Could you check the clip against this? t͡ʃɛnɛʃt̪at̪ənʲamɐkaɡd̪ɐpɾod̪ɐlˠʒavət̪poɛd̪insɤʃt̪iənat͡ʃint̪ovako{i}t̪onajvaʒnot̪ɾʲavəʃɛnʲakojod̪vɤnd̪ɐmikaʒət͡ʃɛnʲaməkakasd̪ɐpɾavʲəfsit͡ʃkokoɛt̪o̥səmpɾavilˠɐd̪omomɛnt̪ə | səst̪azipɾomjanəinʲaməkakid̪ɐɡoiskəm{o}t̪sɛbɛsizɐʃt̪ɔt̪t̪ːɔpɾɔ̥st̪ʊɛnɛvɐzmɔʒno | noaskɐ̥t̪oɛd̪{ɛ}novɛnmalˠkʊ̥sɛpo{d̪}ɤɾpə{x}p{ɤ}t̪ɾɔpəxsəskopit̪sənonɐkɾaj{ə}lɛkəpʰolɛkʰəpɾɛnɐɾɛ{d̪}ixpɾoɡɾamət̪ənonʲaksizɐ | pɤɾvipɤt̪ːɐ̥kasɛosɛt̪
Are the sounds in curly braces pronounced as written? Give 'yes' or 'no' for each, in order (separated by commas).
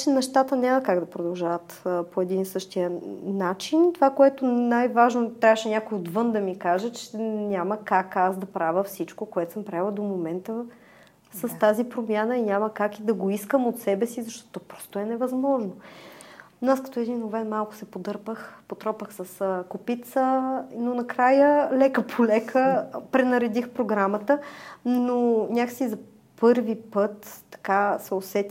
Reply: no, yes, no, yes, yes, no, yes, yes